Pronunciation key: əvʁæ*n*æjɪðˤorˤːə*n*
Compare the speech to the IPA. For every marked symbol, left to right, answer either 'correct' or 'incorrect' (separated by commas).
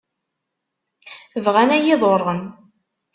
correct, correct